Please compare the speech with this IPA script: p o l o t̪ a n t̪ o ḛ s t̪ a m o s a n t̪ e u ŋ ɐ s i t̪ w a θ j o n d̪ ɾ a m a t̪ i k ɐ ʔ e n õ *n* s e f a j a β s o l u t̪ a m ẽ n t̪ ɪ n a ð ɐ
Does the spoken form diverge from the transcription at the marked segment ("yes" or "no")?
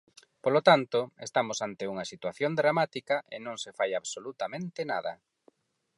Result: yes